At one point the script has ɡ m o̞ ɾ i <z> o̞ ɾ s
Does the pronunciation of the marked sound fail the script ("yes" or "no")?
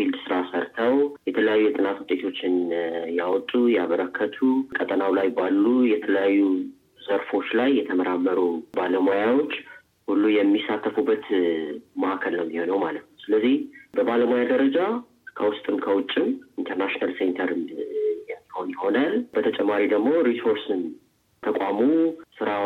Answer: yes